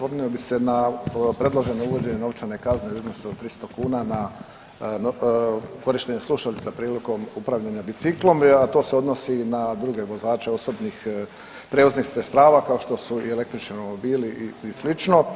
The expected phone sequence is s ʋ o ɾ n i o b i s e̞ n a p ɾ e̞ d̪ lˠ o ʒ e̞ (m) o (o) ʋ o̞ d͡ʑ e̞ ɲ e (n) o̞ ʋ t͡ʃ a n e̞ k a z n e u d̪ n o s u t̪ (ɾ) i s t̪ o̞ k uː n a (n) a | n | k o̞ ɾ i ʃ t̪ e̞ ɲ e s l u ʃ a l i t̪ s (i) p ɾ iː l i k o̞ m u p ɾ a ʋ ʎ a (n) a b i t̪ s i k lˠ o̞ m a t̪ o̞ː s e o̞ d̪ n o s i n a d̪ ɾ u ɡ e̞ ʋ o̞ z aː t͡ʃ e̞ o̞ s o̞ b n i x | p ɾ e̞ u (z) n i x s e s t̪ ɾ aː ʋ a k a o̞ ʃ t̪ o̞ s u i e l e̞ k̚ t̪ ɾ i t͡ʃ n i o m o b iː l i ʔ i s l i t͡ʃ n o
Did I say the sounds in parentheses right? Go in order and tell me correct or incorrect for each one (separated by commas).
incorrect, incorrect, correct, correct, correct, incorrect, incorrect, correct